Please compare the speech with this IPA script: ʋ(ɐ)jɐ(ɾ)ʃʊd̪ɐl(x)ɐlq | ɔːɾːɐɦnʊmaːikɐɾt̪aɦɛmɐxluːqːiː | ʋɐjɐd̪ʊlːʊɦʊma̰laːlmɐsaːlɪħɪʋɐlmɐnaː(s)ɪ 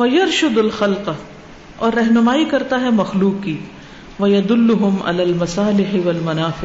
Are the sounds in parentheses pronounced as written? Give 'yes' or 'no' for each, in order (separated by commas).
yes, yes, yes, no